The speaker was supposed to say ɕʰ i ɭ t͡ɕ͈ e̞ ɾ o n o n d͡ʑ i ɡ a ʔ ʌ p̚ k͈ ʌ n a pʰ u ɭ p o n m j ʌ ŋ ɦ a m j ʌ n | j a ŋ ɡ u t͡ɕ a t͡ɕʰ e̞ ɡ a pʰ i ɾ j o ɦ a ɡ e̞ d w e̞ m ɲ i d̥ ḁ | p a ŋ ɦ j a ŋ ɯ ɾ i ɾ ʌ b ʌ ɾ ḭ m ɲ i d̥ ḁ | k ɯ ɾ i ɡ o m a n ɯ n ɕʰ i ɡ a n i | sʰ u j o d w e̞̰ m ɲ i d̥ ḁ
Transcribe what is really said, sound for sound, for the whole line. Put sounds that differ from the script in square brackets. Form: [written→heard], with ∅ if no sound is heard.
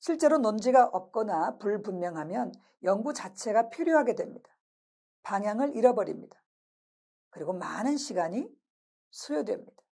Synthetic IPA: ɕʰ i ɭ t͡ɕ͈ e̞ ɾ o n o n d͡ʑ i ɡ a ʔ ʌ p̚ k͈ ʌ n a [pʰ→p] u ɭ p [o→u] n m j ʌ ŋ ɦ a m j ʌ n | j [a→ʌ] ŋ ɡ u t͡ɕ a t͡ɕʰ e̞ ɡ a pʰ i ɾ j o ɦ a ɡ e̞ d w e̞ m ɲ i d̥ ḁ | p a ŋ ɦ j a ŋ ɯ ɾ i ɾ ʌ b ʌ ɾ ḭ m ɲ i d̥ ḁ | k ɯ ɾ i ɡ o m a n ɯ n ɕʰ i ɡ a [n→ɲ] i | sʰ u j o d w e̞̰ m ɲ i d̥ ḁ